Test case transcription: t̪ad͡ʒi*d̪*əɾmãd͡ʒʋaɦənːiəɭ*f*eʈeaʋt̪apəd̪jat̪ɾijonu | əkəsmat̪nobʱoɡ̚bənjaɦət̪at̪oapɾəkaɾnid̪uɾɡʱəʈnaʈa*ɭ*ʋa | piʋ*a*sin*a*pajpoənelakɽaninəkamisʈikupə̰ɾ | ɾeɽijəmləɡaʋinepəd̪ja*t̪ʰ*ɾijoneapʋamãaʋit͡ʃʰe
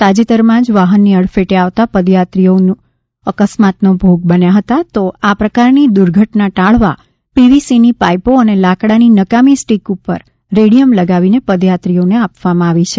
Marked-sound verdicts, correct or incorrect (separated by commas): incorrect, correct, correct, incorrect, incorrect, incorrect